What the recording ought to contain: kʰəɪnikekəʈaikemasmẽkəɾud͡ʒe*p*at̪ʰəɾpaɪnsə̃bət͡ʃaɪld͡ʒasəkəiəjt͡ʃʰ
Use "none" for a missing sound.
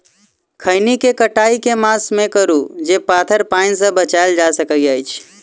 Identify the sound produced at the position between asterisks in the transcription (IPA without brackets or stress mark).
p